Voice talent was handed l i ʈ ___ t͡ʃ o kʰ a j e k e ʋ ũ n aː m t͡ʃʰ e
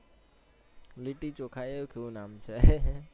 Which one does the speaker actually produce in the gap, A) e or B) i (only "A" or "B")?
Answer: B